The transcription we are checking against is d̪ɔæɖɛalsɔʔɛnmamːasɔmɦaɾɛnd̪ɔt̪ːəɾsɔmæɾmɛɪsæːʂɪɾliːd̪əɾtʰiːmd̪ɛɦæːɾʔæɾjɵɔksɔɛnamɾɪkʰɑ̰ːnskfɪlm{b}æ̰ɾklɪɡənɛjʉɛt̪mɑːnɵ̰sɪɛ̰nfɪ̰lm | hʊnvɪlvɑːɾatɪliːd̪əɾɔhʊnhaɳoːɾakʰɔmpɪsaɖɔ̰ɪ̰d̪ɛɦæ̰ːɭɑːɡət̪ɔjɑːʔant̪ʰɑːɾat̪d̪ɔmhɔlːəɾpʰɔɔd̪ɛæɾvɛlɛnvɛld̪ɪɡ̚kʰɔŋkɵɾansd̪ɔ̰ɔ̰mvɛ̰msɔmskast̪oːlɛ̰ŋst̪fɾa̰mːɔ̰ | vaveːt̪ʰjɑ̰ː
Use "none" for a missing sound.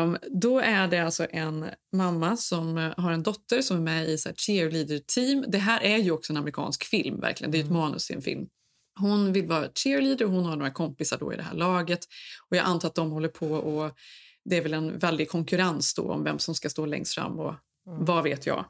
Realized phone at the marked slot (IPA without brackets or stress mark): v